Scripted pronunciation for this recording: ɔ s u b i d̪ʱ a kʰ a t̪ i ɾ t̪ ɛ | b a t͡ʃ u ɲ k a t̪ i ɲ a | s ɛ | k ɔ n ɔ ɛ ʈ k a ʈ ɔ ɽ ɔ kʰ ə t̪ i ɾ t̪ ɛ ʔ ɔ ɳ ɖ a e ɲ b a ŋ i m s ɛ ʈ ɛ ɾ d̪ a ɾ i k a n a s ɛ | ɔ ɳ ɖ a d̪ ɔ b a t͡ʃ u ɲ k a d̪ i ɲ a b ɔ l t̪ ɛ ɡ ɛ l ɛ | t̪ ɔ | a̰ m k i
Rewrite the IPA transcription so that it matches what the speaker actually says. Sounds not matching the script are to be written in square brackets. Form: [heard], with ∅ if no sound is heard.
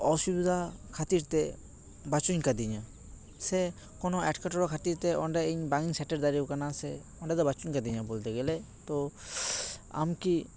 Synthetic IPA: ɔ s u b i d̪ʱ a kʰ a t̪ i ɾ t̪ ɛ | b a t͡ʃ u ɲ k a [d̪] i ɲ a | s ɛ | k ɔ n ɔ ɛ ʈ k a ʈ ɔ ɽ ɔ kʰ [a] t̪ i ɾ t̪ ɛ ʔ ɔ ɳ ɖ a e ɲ b a ŋ i [ŋ] s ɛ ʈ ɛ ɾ d̪ a ɾ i k a n a s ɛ | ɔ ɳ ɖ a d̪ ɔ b a t͡ʃ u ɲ k a d̪ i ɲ a b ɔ l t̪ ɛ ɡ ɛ l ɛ | t̪ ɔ | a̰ m k i